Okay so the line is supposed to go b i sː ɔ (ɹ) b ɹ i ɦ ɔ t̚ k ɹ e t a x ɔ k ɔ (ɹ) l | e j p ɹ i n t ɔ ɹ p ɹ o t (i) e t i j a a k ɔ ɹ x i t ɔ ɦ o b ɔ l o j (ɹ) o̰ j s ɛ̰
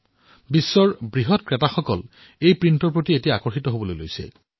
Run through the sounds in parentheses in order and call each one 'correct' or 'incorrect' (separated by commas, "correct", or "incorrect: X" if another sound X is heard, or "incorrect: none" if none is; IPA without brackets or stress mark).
correct, incorrect: none, correct, incorrect: l